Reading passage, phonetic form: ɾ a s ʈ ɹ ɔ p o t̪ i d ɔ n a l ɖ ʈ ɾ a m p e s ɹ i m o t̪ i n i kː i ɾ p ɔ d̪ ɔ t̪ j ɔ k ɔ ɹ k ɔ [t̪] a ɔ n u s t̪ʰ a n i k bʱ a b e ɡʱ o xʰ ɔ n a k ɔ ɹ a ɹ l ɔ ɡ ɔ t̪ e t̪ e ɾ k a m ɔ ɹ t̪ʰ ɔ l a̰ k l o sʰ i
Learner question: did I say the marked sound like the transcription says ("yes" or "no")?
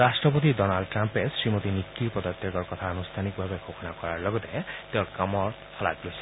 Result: no